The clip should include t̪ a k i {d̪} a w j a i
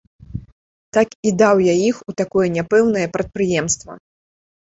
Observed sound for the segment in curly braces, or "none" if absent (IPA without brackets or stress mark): d̪